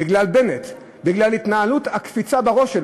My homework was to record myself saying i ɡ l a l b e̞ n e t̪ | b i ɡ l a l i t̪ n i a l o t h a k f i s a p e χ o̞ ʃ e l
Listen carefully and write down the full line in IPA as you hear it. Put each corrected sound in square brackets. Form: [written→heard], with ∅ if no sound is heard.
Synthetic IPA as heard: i ɡ l a l b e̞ n e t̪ | b i ɡ l a l i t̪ n [i→a] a l [o→u] t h a k f i [s→t͡s] a [p→b] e [χ→ʁ] o̞ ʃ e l